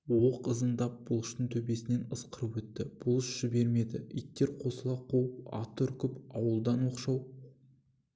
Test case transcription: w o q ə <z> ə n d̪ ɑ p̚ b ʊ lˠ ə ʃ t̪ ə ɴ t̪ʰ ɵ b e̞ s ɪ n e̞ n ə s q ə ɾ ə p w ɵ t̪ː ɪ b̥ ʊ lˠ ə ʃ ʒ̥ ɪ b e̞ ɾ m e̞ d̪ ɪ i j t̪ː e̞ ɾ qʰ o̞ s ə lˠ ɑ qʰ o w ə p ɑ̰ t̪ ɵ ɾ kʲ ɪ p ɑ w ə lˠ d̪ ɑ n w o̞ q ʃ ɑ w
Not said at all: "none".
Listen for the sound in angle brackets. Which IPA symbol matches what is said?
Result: z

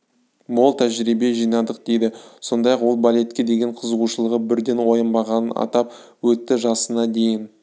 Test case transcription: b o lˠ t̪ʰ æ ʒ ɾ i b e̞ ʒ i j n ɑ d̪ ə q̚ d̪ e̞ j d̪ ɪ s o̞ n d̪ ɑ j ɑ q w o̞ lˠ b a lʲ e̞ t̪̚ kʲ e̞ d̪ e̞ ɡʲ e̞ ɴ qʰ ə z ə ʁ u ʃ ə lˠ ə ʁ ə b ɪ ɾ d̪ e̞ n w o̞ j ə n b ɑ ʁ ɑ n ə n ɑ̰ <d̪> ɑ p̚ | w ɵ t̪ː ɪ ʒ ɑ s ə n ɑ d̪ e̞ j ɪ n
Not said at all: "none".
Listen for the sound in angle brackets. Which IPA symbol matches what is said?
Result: t̪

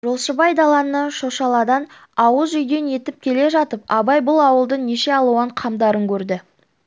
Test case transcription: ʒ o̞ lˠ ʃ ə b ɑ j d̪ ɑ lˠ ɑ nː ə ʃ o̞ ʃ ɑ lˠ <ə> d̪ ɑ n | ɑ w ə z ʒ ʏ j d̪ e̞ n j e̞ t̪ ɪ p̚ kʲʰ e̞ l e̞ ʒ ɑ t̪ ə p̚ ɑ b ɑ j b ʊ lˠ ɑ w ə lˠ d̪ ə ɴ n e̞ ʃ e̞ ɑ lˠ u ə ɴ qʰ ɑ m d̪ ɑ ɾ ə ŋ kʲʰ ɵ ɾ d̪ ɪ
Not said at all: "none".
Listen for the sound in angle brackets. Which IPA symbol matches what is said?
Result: ɑ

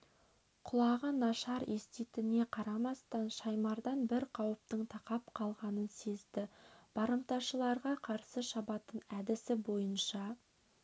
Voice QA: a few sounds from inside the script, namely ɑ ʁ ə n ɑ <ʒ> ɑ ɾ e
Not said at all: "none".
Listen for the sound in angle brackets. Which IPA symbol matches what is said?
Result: ʃ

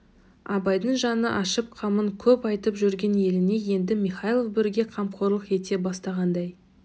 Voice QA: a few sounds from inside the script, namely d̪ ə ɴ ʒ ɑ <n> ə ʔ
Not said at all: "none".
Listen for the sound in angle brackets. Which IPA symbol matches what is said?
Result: n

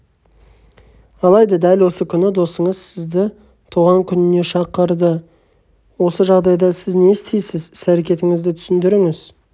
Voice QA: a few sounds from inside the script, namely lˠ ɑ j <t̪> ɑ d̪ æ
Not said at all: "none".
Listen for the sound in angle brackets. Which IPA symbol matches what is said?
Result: d̪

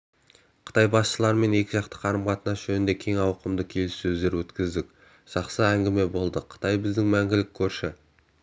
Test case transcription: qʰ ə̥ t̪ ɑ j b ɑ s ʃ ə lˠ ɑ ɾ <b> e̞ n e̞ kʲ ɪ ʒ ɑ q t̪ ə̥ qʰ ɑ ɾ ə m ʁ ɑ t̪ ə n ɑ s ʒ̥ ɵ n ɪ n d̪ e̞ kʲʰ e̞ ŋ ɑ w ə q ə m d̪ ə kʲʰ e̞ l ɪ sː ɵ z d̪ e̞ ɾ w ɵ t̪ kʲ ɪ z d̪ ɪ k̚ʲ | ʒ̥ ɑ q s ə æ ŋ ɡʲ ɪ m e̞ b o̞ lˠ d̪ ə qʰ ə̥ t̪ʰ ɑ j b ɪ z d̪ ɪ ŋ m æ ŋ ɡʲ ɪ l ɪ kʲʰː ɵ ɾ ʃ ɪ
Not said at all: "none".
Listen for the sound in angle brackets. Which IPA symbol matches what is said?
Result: m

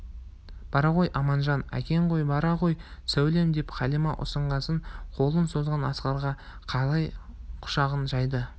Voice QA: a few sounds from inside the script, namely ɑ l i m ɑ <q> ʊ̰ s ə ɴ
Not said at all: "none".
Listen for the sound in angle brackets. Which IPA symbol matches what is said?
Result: ʔ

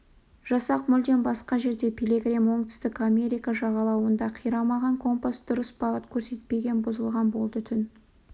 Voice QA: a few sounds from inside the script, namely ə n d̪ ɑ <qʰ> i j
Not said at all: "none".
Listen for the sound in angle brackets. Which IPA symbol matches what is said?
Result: qʰ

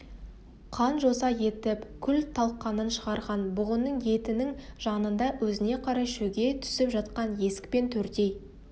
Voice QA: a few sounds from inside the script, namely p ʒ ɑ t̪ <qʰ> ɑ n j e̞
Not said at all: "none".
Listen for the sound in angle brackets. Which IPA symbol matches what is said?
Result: q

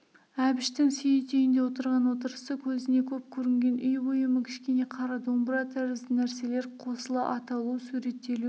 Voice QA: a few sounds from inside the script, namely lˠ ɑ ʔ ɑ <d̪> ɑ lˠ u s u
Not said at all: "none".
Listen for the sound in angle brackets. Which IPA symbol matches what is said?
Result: t̪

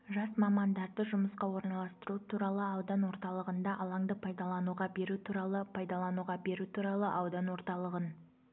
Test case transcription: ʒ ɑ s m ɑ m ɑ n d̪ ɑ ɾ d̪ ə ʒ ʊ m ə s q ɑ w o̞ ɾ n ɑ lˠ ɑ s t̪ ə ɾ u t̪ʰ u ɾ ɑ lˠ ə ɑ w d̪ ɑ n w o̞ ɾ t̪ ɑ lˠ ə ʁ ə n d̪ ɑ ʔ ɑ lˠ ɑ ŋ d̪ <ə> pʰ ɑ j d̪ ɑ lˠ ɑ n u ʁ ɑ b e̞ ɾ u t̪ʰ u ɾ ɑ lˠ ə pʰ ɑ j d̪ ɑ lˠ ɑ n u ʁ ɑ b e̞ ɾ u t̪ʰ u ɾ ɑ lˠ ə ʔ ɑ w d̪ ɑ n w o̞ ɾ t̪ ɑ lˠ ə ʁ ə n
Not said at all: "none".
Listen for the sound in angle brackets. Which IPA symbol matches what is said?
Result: ə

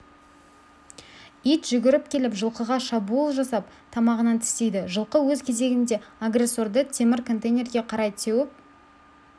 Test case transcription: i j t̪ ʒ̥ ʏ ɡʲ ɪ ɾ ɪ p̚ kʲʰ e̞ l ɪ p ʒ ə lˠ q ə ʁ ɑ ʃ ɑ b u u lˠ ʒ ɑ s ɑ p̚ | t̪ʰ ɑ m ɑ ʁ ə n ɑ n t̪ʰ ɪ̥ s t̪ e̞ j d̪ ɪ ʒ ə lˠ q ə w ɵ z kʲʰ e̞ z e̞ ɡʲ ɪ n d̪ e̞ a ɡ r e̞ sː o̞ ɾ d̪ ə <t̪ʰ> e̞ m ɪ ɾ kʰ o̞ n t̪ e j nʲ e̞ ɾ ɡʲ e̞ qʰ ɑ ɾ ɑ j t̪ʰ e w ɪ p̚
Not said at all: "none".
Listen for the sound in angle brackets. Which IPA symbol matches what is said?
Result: t̪ʰ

